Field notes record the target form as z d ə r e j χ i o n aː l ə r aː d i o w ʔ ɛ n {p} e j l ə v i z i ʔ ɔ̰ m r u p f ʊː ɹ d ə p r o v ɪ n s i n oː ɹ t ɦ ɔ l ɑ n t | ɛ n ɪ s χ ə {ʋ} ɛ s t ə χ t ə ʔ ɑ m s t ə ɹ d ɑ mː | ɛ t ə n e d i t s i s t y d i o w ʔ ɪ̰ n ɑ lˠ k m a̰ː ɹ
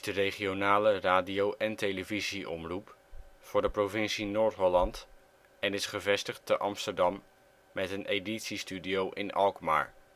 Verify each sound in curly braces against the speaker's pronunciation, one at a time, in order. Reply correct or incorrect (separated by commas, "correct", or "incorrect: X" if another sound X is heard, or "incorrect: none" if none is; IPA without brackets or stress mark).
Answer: incorrect: t, incorrect: v